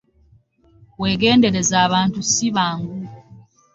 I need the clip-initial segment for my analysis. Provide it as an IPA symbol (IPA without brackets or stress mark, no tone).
w